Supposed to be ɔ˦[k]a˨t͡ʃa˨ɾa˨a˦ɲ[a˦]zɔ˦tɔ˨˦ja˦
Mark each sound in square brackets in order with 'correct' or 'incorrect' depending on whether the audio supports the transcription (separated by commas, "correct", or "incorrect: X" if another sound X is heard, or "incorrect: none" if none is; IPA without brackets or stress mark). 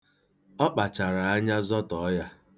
incorrect: k͡p, correct